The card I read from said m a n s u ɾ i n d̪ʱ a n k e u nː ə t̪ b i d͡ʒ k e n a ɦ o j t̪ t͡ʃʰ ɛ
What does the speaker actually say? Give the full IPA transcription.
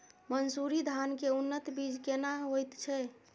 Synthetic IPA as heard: m ə n s u ɾ i d̪ʱ a n k e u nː ə t̪ b i d͡ʒ k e n a ɦ o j t̪ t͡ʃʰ ɛ